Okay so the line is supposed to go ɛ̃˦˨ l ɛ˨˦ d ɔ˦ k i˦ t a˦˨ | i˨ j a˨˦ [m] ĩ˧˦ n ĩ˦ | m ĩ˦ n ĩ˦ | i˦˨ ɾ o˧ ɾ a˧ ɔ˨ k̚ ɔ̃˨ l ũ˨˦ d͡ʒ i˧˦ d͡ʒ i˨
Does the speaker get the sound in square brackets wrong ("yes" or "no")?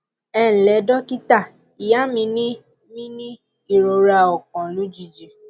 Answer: no